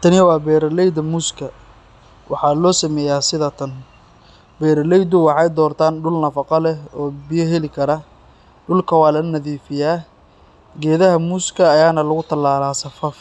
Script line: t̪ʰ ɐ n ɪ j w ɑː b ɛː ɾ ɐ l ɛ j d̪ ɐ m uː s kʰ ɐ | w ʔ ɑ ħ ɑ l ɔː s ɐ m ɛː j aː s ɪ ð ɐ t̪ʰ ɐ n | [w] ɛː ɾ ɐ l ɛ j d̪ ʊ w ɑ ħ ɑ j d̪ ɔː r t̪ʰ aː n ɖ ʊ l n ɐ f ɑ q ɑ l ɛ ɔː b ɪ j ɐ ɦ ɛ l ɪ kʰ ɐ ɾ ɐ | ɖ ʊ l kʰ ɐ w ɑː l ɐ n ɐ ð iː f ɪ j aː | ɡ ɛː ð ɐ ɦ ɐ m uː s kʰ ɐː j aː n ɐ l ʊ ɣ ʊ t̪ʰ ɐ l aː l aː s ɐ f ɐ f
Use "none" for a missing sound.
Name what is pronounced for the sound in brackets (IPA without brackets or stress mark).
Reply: b